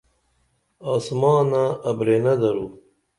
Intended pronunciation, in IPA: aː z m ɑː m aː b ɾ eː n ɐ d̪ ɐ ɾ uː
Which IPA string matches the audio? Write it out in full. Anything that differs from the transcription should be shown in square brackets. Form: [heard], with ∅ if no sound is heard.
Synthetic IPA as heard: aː [s] m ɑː [n] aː b ɾ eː n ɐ d̪ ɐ ɾ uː